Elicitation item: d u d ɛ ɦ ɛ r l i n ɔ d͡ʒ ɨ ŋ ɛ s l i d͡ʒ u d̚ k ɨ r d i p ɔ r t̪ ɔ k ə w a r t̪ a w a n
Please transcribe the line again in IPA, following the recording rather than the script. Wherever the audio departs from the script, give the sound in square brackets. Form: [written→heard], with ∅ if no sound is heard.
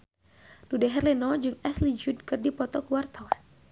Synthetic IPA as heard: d u d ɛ ɦ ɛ r l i n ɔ d͡ʒ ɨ ŋ ɛ s l i d͡ʒ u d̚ k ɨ r d i p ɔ [r→∅] t̪ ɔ k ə w a r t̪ a w a n

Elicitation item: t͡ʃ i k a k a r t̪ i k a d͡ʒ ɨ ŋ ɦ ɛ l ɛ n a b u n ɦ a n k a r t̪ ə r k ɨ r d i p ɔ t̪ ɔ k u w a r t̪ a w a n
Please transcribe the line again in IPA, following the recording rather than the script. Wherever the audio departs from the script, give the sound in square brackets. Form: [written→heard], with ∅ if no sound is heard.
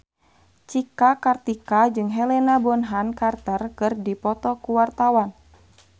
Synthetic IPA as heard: t͡ʃ i k a k a r t̪ i k a d͡ʒ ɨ ŋ ɦ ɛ l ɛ n a b [u→ɔ] n ɦ a n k a r t̪ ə r k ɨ r d i p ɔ t̪ ɔ k u w a r t̪ a w a n

